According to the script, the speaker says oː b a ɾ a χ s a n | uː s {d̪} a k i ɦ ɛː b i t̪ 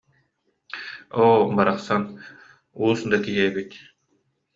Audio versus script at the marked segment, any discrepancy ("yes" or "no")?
no